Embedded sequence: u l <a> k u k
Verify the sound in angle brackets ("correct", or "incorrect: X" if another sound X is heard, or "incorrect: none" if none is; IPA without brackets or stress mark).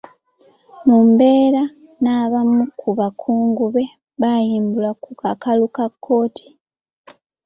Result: correct